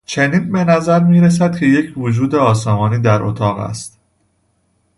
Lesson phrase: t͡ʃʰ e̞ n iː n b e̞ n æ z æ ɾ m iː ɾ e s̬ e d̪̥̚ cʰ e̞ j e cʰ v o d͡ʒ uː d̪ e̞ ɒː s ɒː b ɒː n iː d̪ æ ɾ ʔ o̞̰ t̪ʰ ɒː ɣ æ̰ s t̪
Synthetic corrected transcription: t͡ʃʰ e̞ n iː n b e̞ n æ z æ ɾ m iː ɾ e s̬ æ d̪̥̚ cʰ e̞ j e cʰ v o d͡ʒ uː d̪ e̞ ɒː s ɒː m ɒː n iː d̪ æ ɾ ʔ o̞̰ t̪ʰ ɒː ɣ æ̰ s t̪